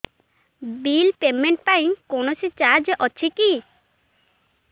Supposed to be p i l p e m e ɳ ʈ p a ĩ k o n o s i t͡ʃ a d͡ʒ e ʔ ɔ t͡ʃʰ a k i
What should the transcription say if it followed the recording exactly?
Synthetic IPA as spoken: b i l p e m e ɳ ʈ p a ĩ k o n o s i t͡ʃ a d͡ʒ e ʔ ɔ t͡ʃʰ i k i